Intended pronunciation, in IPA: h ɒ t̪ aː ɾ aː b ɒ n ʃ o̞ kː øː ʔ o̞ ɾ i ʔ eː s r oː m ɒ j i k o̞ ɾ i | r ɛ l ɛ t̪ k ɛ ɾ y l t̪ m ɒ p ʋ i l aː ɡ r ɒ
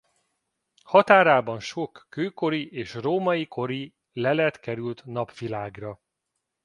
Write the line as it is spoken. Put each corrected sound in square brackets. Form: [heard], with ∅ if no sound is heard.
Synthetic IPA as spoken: h ɒ t̪ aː ɾ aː b ɒ n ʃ o̞ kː øː [k] o̞ ɾ i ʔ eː [ʃ] r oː m ɒ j i k o̞ ɾ i | [l] ɛ l ɛ t̪ k ɛ ɾ y l t̪ [n] ɒ p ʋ i l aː ɡ r ɒ